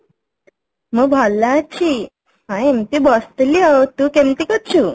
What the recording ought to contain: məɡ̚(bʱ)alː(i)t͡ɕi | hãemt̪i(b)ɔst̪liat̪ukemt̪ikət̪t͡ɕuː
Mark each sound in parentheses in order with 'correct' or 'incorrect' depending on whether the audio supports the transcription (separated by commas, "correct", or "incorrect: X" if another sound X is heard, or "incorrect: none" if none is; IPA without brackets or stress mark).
correct, incorrect: a, correct